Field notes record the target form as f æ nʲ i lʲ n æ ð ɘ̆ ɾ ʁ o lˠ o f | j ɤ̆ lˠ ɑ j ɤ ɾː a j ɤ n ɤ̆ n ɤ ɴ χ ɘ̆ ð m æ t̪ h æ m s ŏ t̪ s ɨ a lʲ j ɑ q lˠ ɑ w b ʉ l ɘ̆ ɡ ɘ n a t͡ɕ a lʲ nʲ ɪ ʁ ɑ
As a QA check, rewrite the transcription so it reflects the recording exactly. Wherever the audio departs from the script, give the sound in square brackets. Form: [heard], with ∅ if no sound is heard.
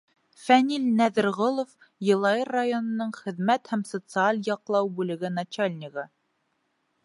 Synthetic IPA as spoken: f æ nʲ i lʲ n æ ð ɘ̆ ɾ ʁ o lˠ o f | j ɤ̆ lˠ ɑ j ɤ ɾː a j [o] n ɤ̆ n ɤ ɴ χ ɘ̆ ð m æ t̪ h æ m s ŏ t̪ s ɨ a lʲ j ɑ q lˠ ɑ w b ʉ l ɘ̆ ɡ ɘ n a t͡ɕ a lʲ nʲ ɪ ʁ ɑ